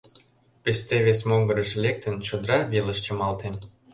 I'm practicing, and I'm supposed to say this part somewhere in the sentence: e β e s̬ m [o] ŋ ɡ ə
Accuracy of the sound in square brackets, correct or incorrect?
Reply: correct